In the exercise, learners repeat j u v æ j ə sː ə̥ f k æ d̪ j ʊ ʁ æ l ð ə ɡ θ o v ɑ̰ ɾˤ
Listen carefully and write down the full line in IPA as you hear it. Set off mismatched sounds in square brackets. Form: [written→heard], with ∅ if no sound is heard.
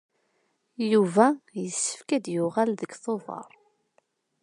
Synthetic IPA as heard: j u v æ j ə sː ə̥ f k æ d̪ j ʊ ʁ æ l ð ə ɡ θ o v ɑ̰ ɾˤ